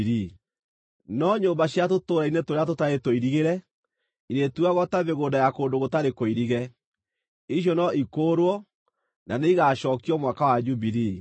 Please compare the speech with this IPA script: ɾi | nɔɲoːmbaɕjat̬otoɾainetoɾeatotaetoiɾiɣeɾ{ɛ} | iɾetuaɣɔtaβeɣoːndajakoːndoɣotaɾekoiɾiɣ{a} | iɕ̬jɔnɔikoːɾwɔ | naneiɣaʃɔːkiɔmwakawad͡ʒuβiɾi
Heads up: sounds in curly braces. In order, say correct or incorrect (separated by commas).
correct, incorrect